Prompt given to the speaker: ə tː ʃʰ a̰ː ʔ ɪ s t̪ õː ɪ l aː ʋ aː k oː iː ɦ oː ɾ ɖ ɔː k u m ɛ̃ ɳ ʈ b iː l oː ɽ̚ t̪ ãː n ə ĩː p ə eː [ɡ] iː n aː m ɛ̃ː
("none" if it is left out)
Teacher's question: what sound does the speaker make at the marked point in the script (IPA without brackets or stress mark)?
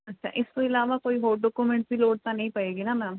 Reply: ɡ